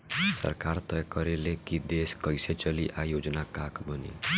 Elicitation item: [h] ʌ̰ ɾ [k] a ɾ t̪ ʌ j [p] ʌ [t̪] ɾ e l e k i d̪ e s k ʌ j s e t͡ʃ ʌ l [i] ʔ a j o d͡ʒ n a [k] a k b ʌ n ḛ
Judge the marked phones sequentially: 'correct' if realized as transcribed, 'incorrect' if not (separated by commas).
incorrect, correct, incorrect, incorrect, correct, correct